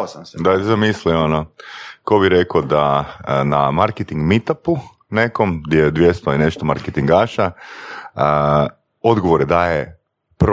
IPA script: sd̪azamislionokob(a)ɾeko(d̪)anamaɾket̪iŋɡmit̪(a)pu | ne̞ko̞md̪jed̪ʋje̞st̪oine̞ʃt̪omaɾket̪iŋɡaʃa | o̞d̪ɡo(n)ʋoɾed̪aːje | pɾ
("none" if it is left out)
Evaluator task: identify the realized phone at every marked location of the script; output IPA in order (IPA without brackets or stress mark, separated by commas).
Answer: i, d̪, a, none